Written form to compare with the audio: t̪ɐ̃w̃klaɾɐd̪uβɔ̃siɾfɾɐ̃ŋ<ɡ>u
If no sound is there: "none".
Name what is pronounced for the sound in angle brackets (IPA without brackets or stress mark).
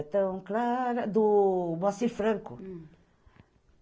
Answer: k